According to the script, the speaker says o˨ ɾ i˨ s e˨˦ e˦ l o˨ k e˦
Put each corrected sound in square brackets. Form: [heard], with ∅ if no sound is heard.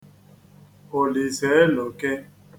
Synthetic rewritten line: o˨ [l] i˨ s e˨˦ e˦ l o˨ k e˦